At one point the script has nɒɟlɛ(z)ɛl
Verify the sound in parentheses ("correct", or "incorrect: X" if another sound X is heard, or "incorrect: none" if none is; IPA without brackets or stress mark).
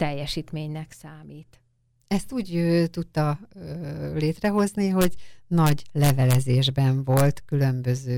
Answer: incorrect: v